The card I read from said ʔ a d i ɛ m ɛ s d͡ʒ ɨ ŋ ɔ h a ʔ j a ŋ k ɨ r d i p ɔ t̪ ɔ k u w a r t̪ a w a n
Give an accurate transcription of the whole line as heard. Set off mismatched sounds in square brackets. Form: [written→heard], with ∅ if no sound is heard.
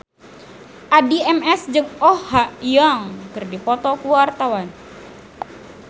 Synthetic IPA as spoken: ʔ a d i ɛ m ɛ s d͡ʒ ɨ ŋ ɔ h a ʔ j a ŋ k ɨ r d i p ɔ t̪ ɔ k u w a r t̪ a w a n

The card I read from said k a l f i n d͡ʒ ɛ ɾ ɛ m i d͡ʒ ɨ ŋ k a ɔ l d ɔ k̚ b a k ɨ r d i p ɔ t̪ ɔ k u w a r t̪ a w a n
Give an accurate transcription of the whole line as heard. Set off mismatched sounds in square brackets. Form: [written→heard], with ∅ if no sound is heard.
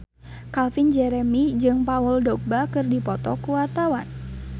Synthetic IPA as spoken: k a l f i n d͡ʒ ɛ ɾ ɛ m i d͡ʒ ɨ ŋ [k→p] a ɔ l d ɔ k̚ b a k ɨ r d i p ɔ t̪ ɔ k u w a r t̪ a w a n

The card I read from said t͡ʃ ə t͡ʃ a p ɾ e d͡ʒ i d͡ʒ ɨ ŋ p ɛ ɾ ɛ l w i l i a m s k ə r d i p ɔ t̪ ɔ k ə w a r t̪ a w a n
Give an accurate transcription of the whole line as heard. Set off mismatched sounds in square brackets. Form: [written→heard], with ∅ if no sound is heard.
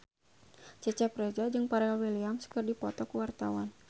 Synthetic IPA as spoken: t͡ʃ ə t͡ʃ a p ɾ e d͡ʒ [i→a] d͡ʒ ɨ ŋ p [ɛ→a] ɾ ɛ l w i l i a m s k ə r d i p ɔ t̪ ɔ k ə w a r t̪ a w a n

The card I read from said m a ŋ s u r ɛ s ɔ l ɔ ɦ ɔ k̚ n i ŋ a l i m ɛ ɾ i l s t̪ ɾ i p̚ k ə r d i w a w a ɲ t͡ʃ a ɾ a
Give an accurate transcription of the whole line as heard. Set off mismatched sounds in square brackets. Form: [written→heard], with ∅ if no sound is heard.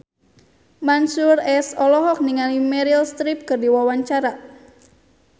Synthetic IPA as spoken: m a [ŋ→n] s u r ɛ s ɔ l ɔ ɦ ɔ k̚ n i ŋ a l i m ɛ ɾ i l s t̪ ɾ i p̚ k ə r d i w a w a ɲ t͡ʃ a ɾ a

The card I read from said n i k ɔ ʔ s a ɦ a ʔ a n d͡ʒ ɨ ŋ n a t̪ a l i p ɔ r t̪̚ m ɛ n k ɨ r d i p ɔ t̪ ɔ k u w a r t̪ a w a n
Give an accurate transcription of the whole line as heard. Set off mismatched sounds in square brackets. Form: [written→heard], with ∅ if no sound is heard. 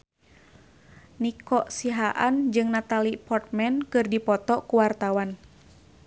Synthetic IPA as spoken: n i k ɔ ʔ s [a→i] ɦ a ʔ a n d͡ʒ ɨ ŋ n a t̪ a l i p ɔ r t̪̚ m ɛ n k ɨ r d i p ɔ t̪ ɔ k u w a r t̪ a w a n

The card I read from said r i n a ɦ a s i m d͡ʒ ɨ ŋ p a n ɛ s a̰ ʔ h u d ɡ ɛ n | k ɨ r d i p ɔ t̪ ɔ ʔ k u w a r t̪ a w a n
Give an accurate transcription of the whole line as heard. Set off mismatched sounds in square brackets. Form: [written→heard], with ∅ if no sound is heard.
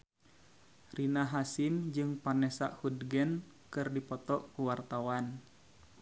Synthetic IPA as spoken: r i n a ɦ a s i m d͡ʒ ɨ ŋ p a n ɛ s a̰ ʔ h u d ɡ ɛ n | k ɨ r d i p ɔ t̪ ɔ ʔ k u w a r t̪ a w a n

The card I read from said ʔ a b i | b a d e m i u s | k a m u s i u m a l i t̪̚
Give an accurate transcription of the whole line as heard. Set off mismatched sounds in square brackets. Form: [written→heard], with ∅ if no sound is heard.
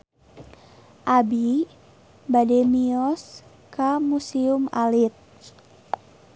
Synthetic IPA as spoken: ʔ a b i | b a d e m i [u→ɔ] s | k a m u s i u m a l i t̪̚

